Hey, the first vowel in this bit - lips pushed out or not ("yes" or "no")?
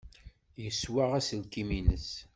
no